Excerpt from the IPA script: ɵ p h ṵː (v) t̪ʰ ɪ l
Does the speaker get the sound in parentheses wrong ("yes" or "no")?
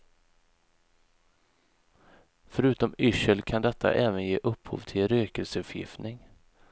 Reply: no